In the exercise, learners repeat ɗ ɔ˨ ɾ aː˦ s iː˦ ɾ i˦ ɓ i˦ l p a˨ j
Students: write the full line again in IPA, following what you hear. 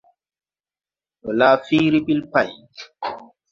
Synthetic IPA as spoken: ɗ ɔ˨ l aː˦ f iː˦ ɾ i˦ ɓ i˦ l p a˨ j